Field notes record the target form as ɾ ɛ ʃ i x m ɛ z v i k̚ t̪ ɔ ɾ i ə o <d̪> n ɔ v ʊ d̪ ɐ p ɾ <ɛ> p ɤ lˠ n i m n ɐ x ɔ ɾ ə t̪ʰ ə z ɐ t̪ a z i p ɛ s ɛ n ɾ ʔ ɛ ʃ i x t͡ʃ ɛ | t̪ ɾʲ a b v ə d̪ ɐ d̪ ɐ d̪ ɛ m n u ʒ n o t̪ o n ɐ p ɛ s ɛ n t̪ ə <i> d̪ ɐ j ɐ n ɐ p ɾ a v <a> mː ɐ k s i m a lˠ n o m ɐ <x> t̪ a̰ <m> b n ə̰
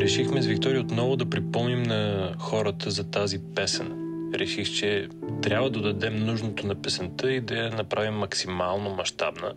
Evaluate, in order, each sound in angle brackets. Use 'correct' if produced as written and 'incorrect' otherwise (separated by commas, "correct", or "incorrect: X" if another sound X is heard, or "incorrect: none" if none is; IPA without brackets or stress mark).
incorrect: t̪, incorrect: i, correct, incorrect: i, incorrect: ʃ, incorrect: none